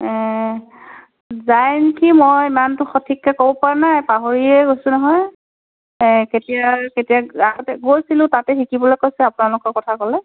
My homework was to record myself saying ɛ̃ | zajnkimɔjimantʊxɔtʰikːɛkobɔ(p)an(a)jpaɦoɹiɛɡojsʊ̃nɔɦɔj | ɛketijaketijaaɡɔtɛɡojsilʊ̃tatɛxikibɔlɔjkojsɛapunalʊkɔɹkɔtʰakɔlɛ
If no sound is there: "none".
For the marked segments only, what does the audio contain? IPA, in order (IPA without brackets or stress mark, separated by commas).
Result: p, a